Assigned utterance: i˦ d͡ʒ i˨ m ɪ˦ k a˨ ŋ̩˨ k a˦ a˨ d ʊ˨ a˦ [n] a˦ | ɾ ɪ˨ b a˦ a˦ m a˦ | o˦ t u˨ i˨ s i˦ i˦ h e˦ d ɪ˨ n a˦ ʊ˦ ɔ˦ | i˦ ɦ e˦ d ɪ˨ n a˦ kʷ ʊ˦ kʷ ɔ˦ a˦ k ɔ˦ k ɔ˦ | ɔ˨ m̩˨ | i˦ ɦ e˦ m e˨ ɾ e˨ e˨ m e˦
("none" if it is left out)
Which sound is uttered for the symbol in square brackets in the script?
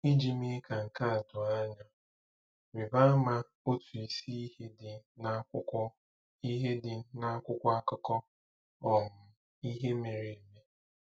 ɲ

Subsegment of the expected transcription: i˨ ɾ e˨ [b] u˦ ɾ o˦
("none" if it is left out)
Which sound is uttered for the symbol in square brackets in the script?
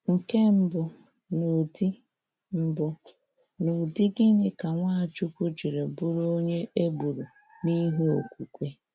b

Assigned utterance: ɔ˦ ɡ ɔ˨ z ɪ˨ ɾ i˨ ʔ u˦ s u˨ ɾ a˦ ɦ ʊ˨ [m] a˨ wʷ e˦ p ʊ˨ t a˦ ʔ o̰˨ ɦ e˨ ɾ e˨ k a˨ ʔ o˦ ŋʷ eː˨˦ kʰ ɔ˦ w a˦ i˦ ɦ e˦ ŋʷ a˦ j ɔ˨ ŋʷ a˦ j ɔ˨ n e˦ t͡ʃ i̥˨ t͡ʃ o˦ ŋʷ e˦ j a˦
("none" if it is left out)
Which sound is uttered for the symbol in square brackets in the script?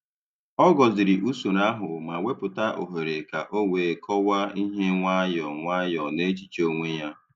m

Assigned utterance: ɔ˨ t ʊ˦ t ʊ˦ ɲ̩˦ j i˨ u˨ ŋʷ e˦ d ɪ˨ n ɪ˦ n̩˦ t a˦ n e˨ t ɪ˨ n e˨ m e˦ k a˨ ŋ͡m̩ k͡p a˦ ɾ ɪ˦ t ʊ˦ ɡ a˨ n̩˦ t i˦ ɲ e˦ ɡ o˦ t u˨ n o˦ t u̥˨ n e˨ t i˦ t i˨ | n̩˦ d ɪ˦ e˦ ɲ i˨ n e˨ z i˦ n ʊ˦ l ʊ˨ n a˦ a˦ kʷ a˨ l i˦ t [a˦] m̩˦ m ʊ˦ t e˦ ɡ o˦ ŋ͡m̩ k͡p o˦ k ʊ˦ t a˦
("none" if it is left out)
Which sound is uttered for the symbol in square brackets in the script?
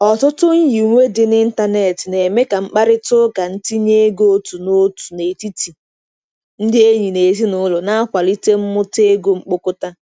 e˦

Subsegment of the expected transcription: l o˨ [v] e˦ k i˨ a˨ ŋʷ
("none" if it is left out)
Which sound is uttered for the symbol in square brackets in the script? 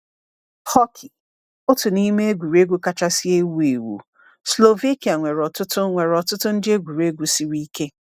v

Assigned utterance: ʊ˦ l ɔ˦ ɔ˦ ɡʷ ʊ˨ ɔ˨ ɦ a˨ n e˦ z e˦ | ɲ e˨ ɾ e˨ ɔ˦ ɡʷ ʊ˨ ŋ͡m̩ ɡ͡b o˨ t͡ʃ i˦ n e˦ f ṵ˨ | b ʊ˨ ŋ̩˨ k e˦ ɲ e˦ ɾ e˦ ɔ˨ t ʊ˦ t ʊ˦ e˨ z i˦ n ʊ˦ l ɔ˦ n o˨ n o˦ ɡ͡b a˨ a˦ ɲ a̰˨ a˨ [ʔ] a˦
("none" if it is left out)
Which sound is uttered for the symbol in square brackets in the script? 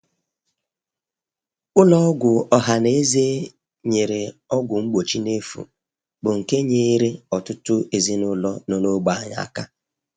k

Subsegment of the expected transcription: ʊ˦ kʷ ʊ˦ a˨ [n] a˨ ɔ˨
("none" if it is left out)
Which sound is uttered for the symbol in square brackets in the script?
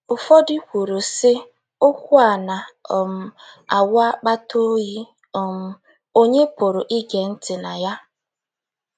n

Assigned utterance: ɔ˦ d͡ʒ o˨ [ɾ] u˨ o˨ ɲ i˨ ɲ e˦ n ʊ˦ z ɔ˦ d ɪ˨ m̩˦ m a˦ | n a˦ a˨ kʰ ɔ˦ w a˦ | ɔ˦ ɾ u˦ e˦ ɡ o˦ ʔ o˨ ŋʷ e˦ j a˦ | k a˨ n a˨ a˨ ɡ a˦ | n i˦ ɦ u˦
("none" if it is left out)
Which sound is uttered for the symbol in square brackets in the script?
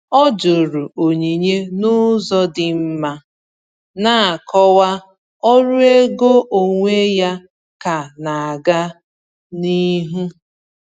ɾ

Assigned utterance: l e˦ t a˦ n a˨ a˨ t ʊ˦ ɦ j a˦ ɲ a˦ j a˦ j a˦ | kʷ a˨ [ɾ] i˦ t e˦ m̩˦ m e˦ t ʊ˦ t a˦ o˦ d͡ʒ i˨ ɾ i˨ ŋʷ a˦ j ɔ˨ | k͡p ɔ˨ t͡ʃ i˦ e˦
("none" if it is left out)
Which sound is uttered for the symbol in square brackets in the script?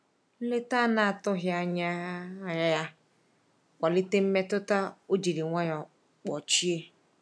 l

